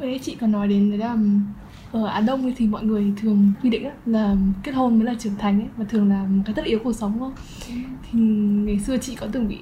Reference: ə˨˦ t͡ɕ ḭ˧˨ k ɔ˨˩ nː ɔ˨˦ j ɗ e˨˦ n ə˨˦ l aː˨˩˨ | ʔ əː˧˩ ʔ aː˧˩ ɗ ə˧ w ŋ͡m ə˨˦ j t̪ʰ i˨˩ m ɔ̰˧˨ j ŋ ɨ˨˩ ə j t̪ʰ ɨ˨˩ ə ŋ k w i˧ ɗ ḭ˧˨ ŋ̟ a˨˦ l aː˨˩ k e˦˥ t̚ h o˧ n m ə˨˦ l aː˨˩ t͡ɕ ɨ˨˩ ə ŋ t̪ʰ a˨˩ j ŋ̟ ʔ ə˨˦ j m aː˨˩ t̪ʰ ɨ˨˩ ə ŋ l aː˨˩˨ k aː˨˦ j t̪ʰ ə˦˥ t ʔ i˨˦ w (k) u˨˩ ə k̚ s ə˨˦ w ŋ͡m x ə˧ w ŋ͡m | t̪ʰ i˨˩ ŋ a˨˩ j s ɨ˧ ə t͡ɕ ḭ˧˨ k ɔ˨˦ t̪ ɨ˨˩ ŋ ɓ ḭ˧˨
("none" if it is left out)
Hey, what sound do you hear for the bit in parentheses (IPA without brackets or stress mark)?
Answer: k